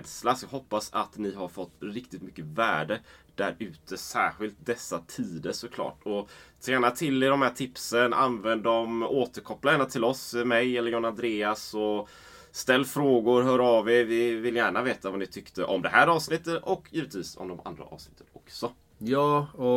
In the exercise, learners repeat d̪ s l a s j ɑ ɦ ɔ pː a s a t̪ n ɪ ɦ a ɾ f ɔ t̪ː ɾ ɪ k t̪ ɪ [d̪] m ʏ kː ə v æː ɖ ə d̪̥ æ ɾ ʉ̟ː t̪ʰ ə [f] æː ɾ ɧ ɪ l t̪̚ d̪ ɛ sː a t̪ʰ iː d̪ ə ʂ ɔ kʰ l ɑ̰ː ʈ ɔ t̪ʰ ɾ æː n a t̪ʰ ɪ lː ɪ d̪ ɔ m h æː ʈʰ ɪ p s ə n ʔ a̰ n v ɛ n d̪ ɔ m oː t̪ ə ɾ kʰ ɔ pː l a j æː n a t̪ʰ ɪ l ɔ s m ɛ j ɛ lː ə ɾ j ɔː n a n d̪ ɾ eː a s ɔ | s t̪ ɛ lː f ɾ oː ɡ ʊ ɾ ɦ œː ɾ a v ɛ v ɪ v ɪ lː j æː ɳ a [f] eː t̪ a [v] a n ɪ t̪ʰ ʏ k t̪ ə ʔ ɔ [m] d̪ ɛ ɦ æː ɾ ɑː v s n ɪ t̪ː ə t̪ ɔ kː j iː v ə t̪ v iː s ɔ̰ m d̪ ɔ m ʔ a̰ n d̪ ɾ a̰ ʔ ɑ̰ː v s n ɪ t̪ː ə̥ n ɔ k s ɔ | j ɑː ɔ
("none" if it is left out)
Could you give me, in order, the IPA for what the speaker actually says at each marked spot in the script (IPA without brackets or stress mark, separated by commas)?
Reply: t̪, s, v, v, m